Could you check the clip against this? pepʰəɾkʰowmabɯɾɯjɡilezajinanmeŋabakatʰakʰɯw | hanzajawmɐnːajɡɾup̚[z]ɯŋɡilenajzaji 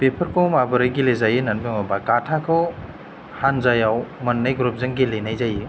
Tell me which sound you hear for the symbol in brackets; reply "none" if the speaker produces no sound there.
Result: z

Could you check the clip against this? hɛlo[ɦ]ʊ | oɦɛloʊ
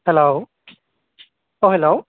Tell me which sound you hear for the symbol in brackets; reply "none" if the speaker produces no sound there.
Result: none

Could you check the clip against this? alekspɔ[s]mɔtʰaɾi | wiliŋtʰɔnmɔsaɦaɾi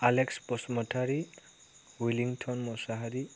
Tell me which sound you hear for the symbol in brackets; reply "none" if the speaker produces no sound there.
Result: s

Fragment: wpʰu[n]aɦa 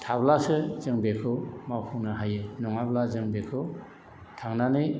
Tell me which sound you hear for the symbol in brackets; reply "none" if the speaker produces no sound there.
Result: n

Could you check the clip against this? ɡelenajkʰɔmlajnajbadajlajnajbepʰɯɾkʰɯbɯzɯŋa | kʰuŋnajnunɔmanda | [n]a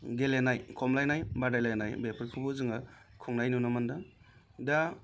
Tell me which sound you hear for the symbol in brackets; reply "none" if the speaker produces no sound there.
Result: d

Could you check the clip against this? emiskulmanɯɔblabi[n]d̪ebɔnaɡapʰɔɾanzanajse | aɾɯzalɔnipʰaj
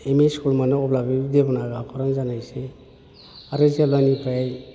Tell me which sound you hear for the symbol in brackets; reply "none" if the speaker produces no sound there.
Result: none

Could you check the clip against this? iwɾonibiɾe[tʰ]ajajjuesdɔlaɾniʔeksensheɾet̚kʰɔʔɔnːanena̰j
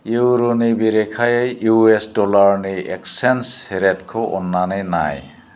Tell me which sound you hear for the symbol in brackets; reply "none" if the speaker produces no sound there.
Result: kʰ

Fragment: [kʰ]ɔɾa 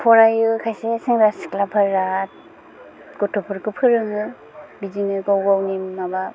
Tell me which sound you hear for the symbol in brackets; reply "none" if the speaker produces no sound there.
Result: pʰ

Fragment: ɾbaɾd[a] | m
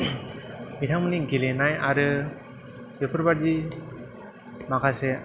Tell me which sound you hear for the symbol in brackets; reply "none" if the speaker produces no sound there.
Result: i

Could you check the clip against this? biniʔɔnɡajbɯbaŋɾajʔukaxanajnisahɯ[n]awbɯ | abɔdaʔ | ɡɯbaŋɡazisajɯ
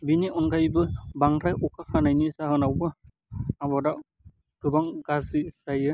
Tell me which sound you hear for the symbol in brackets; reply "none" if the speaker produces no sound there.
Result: n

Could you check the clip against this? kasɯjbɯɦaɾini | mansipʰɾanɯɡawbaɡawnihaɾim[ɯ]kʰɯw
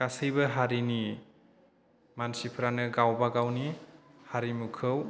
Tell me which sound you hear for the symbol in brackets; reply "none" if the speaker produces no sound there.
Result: u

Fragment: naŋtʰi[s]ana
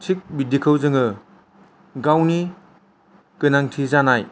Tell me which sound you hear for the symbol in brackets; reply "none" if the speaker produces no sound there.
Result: z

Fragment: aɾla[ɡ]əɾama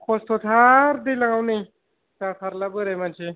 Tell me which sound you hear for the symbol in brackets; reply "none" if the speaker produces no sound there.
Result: b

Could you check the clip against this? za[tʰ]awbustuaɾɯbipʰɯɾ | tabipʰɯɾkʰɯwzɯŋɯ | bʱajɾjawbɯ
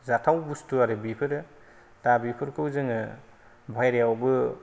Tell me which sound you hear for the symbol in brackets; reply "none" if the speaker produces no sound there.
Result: tʰ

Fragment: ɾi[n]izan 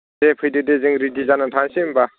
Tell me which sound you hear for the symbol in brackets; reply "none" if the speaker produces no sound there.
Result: d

